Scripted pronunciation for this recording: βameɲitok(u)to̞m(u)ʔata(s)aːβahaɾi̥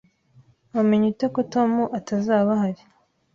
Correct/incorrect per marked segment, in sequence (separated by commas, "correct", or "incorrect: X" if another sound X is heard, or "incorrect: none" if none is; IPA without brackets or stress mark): incorrect: o, correct, incorrect: z